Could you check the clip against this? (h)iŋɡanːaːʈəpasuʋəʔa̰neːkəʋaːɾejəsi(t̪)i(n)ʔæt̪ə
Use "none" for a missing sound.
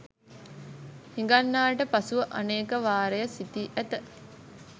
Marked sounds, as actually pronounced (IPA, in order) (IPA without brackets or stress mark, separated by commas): h, t̪, none